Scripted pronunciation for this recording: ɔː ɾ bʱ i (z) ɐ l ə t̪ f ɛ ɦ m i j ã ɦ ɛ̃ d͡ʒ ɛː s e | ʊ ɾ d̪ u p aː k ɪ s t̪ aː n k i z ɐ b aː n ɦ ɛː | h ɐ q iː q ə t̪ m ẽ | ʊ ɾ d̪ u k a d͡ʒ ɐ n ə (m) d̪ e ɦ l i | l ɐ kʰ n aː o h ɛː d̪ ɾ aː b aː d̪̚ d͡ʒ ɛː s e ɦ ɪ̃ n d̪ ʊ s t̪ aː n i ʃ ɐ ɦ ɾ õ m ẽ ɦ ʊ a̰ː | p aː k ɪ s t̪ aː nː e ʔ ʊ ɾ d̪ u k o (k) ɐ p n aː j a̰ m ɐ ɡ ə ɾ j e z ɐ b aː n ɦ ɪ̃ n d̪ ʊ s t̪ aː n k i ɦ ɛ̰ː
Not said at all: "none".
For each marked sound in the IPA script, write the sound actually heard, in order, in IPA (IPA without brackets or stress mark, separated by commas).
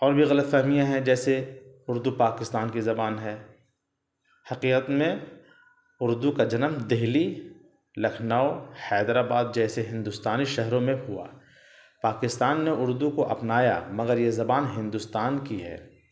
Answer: ɣ, m, ʔ